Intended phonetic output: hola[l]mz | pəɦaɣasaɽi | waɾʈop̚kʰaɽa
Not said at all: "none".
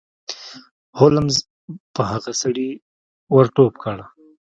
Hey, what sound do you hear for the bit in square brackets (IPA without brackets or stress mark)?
none